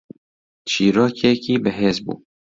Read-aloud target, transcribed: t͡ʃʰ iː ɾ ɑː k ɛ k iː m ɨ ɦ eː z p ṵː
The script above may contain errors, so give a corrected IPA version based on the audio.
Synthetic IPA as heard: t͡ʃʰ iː ɾ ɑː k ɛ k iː b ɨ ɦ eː z b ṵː

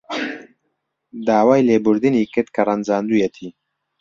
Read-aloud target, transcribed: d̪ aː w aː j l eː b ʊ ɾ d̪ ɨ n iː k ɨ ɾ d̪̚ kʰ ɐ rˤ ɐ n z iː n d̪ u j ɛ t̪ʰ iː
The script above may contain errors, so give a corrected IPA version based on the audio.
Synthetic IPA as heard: d̪ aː w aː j l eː b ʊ ɾ d̪ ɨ n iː k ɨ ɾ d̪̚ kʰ ɐ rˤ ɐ n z aː n d̪ u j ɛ t̪ʰ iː

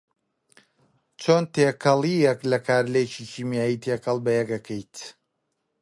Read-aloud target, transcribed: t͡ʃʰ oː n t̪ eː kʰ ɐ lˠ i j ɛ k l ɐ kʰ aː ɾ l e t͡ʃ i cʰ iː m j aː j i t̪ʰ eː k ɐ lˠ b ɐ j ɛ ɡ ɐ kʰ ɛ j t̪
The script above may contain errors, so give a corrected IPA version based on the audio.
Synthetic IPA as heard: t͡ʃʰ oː n t̪ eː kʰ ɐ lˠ i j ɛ k l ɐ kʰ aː ɾ l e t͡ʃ i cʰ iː m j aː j i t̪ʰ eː k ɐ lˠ b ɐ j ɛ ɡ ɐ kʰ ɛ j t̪

